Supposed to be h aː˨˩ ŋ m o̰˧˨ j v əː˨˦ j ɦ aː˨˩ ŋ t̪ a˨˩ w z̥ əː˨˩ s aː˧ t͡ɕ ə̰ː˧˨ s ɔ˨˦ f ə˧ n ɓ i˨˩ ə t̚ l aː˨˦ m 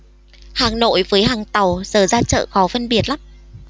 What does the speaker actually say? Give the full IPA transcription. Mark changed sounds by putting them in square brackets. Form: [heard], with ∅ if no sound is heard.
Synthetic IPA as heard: h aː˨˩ ŋ [n] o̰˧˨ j v əː˨˦ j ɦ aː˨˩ ŋ t̪ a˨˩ w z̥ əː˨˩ [z] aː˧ t͡ɕ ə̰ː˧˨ [x] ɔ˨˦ f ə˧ n ɓ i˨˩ ə t̚ l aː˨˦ m